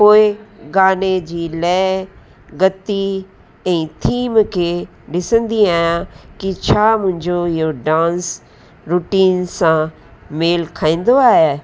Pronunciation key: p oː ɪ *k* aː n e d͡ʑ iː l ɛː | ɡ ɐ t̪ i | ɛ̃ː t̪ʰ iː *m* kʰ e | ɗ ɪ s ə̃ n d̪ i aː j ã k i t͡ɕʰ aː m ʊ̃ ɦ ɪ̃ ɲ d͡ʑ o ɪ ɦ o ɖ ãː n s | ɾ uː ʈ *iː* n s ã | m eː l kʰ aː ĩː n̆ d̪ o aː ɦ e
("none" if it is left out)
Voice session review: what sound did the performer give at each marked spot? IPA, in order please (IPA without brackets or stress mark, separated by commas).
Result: ɡ, m, iː